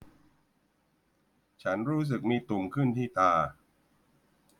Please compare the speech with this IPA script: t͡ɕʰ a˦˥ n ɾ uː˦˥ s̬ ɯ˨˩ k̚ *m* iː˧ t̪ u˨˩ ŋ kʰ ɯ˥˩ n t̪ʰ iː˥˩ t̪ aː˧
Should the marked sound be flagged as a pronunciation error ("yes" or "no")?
no